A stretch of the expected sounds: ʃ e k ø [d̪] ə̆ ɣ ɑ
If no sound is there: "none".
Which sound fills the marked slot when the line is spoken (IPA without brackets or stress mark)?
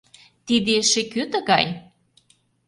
t̪